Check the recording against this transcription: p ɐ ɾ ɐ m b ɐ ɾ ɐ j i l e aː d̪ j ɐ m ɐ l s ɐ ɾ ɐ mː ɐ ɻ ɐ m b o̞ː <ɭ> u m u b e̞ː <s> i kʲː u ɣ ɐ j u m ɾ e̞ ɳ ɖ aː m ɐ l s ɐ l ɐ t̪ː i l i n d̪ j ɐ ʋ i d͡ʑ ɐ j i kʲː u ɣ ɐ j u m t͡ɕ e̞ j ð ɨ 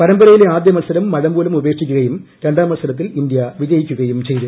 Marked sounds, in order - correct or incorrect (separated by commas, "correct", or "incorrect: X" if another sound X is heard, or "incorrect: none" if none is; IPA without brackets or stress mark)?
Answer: incorrect: l, incorrect: ʂ